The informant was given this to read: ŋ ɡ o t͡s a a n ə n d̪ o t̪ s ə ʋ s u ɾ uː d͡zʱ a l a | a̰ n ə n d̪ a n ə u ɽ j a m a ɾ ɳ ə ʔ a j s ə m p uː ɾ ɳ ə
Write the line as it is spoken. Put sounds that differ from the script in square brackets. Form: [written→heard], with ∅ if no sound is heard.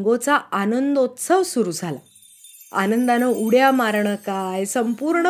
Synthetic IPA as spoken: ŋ ɡ o t͡s a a n ə n d̪ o t̪ s ə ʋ s u ɾ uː d͡zʱ a l a | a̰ n ə n d̪ a n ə u ɽ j a m a ɾ ɳ ə [ʔ→k] a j s ə m p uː ɾ ɳ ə